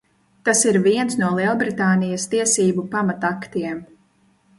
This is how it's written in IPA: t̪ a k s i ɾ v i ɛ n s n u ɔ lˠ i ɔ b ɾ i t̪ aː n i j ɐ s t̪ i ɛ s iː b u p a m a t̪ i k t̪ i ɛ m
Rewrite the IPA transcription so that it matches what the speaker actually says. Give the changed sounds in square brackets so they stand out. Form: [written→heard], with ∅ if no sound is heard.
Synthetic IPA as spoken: t̪ a [k→∅] s i ɾ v i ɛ n s n u ɔ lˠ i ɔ b ɾ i t̪ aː n i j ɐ s t̪ i ɛ s iː b u p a m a t̪ [i→a] k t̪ i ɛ m

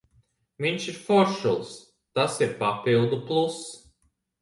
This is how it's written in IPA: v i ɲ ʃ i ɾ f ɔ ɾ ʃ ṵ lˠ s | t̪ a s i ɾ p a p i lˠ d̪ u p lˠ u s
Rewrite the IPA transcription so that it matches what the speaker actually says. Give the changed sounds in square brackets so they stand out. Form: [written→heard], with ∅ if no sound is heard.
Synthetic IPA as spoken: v i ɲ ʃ i ɾ f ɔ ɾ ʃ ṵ lˠ s | t̪ a s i ɾ p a p i lˠ d̪ u p lˠ u s

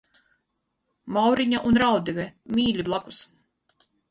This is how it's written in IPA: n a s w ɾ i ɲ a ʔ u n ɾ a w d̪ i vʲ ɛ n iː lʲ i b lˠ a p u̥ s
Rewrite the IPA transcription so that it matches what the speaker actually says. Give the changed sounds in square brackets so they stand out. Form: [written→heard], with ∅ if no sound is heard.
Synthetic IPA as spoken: [n→m] a [s→∅] w ɾ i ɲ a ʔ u n ɾ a w d̪ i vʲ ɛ [n→m] iː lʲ i b lˠ a [p→k] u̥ s

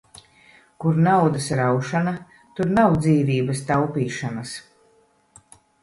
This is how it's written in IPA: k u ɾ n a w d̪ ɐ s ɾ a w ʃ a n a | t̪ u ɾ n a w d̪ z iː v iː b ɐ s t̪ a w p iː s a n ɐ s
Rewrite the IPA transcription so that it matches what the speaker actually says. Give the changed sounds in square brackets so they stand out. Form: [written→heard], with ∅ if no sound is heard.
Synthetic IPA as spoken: k u ɾ n a w d̪ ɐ s ɾ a w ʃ a n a | t̪ u ɾ n a w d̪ z iː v iː b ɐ s t̪ a w p iː [s→ʃ] a n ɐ s

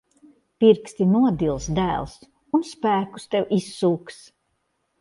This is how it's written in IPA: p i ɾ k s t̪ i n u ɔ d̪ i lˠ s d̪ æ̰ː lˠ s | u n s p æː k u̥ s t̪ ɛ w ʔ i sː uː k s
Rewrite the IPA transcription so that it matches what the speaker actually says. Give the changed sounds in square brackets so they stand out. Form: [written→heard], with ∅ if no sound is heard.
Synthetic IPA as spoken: p i ɾ k s t̪ i n u ɔ d̪ i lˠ s d̪ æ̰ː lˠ s | u n s p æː k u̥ s t̪ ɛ w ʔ i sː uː k s

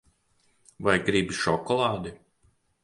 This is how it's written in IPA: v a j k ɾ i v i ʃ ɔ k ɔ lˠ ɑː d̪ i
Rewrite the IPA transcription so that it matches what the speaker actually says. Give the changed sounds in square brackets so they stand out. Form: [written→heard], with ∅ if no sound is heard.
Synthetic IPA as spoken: v a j [k→ɡ] ɾ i [v→b] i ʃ ɔ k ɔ lˠ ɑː d̪ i

